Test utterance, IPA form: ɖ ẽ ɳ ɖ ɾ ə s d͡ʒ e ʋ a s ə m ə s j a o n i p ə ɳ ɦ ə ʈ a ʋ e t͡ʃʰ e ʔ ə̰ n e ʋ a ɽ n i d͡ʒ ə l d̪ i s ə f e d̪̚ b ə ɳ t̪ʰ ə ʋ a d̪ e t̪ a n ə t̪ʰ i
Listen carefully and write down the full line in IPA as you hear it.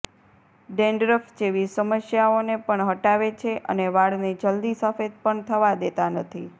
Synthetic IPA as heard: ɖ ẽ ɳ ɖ ɾ ə f d͡ʒ e ʋ i s ə m ə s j a o n e p ə ɳ ɦ ə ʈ a ʋ e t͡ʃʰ e ʔ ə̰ n e ʋ a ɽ n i d͡ʒ ə l d̪ i s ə f e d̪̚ p ə ɳ t̪ʰ ə ʋ a d̪ e t̪ a n ə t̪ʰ i